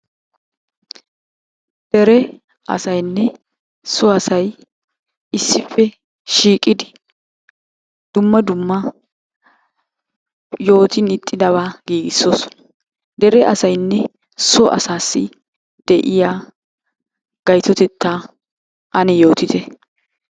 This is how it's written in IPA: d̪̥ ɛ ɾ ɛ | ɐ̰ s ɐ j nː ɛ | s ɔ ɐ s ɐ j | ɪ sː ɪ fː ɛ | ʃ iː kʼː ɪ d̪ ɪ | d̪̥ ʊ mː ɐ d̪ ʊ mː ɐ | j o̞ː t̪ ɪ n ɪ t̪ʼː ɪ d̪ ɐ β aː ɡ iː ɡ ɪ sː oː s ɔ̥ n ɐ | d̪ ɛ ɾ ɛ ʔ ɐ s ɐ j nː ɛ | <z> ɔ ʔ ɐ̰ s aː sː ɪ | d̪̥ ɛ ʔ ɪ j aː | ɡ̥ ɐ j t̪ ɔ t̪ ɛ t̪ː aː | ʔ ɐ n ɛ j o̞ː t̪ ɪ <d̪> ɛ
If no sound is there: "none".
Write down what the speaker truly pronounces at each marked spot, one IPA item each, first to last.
s, t̪

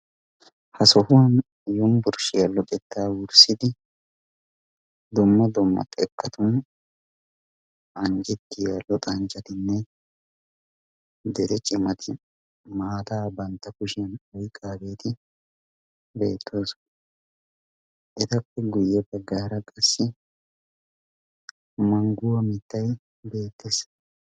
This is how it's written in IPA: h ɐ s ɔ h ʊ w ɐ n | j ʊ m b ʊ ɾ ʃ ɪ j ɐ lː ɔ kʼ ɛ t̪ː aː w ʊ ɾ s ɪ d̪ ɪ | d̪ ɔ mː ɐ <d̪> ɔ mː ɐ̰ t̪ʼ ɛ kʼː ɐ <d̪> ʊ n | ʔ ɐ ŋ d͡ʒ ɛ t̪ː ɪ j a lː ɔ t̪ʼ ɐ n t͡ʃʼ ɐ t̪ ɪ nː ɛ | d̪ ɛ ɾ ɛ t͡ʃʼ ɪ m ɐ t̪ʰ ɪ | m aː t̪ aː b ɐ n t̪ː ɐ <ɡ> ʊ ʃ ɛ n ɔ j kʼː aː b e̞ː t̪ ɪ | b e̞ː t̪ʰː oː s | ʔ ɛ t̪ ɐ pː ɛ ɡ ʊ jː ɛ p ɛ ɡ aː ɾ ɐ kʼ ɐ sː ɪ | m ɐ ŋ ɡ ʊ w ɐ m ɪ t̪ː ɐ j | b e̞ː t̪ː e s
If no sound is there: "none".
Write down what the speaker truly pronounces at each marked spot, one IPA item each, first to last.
d̪, t̪, k

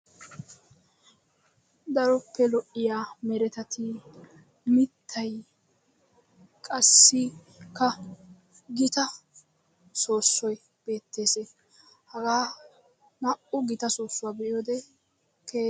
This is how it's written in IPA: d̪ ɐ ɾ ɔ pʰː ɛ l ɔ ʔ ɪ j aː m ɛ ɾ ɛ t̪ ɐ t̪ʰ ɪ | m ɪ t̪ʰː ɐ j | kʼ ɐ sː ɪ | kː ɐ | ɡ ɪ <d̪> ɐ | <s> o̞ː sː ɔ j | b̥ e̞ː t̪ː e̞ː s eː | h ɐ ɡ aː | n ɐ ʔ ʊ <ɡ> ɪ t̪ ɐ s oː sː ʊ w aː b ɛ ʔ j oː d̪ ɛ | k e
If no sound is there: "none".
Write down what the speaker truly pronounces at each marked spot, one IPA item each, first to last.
t̪, s, ɡ

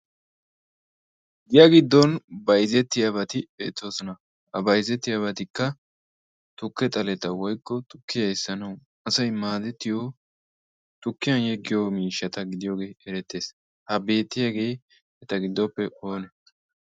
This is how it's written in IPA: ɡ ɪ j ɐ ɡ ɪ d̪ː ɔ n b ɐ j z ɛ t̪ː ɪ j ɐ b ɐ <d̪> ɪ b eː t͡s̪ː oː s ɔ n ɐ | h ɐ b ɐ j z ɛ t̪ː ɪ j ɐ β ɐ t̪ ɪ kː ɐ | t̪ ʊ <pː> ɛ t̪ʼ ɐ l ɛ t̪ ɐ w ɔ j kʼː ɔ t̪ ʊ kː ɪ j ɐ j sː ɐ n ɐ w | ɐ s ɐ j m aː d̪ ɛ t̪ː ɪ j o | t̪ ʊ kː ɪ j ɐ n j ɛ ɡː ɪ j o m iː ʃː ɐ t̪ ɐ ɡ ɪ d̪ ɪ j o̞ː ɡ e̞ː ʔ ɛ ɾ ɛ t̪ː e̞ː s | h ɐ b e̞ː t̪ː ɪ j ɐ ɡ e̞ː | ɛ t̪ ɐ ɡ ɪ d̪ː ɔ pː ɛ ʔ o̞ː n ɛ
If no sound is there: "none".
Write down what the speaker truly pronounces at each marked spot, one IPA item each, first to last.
t̪, kː

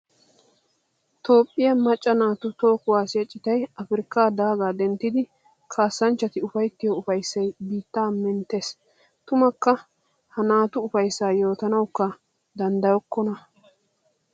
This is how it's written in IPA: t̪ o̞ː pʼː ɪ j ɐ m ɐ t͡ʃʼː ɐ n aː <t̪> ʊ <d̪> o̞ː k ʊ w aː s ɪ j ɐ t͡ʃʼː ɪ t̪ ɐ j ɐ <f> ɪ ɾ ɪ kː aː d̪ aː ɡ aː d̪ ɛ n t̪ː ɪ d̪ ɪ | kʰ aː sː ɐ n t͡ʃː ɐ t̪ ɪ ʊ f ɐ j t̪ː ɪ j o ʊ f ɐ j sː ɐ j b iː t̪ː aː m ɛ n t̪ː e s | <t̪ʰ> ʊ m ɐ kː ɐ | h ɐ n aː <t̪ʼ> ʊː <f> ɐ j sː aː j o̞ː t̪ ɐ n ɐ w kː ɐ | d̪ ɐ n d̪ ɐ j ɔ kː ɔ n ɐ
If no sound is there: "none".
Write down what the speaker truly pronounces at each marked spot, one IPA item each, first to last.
t̪, t̪, f, t̪, t̪, f

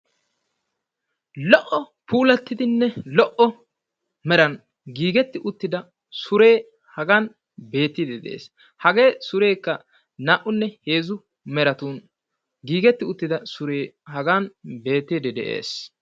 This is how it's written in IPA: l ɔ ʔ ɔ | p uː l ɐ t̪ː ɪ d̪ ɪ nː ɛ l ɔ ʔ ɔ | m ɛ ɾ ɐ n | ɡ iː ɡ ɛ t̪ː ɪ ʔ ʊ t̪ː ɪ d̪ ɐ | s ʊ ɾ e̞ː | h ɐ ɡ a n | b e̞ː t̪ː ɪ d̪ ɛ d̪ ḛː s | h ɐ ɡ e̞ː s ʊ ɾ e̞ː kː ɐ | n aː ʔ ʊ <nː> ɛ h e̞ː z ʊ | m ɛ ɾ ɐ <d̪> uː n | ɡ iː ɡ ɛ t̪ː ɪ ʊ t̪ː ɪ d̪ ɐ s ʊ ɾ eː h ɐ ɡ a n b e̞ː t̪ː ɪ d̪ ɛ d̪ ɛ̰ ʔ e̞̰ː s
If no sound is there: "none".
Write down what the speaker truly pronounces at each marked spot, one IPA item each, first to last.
nː, t̪

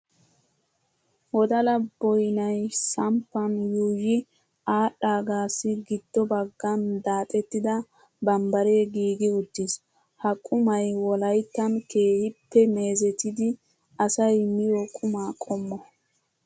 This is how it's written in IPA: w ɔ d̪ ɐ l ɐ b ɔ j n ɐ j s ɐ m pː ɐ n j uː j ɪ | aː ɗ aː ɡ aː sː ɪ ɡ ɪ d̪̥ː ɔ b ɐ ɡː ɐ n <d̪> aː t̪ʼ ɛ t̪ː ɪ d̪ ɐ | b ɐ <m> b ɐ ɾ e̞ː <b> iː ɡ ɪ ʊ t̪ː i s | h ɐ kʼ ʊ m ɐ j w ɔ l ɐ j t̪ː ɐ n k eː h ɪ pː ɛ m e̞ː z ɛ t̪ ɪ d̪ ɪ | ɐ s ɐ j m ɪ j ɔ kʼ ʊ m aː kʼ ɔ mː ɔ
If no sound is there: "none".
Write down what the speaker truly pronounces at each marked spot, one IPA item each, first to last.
d̪, m, ɡ

